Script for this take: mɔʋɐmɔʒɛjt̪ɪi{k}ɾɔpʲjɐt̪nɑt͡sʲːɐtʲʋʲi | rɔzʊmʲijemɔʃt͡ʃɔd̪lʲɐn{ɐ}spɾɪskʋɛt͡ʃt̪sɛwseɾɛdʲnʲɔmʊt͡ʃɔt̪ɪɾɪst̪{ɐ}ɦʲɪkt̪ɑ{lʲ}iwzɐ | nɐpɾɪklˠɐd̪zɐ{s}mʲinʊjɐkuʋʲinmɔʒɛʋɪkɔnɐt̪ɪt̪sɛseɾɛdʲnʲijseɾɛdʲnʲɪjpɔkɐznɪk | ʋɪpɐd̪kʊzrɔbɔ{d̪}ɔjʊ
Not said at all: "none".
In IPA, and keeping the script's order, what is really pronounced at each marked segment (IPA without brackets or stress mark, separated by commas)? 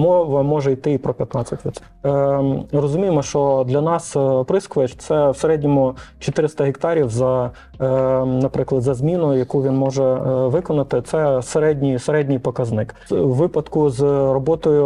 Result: p, ɑ, ɐ, ɾʲ, z, t̪